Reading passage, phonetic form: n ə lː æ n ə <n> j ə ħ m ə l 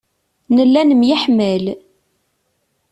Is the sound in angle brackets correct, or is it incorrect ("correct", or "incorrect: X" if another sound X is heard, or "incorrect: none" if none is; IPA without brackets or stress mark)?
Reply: incorrect: m